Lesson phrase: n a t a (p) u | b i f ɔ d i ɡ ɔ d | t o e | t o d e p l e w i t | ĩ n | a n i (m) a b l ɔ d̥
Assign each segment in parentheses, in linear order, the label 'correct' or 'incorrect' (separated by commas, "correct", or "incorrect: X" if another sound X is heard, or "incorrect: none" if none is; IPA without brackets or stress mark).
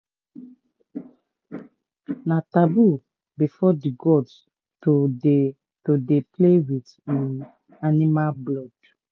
incorrect: b, correct